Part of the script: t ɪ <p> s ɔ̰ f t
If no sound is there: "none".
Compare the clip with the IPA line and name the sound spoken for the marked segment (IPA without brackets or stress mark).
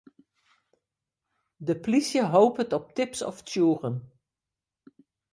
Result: p